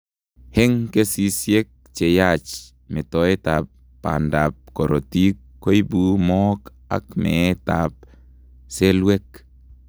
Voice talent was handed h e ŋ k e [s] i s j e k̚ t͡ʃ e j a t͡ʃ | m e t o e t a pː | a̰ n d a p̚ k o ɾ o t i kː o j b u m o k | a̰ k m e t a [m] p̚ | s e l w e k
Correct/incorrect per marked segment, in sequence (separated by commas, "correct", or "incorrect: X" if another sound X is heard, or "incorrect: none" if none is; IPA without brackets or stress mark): correct, incorrect: none